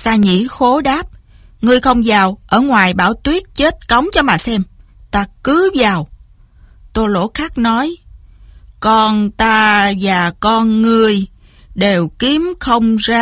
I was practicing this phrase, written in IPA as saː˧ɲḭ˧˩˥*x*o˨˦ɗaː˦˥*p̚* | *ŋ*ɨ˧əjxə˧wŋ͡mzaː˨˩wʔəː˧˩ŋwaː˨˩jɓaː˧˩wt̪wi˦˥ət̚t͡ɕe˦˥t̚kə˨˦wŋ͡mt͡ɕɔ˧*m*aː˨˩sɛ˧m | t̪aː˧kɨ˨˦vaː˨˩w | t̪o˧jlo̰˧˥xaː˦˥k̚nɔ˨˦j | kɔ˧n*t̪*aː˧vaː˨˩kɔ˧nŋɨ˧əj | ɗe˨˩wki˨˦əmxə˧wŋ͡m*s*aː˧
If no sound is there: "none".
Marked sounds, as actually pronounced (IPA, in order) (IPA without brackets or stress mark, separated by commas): x, p̚, ŋ, m, t̪, z